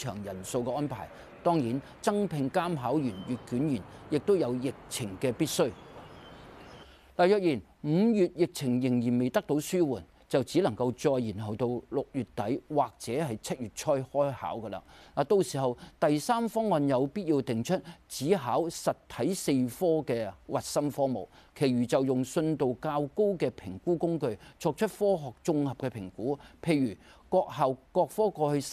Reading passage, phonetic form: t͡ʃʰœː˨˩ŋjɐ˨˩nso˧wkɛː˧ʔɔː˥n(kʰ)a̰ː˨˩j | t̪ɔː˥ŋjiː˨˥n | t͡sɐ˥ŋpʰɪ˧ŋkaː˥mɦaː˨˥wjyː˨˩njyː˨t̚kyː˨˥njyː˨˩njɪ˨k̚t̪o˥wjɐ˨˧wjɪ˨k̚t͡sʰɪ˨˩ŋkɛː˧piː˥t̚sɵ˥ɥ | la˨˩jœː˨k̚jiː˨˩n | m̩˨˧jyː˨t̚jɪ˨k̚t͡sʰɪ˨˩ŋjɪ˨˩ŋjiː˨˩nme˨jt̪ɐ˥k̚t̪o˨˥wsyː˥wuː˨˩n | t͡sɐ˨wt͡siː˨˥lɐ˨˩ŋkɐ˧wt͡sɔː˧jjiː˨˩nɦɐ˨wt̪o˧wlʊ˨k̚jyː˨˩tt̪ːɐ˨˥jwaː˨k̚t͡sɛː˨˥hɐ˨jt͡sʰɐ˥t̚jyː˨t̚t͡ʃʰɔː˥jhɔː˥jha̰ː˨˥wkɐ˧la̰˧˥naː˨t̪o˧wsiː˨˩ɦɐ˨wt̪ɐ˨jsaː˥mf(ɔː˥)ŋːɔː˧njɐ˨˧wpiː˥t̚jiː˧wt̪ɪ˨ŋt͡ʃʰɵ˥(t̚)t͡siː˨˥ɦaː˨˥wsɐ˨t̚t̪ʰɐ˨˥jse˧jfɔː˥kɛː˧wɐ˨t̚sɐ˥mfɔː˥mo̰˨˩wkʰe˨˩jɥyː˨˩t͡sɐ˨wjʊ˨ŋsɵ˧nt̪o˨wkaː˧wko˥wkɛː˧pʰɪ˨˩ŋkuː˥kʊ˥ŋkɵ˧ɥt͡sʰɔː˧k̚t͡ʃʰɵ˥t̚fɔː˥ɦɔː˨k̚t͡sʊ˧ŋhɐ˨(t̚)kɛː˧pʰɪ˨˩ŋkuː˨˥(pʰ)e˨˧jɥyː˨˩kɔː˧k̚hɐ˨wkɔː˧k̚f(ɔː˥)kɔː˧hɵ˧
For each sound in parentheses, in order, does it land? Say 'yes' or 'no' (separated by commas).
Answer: no, yes, yes, no, yes, yes